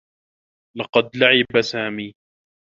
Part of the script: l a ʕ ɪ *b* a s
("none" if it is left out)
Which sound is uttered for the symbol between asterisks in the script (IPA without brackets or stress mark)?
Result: b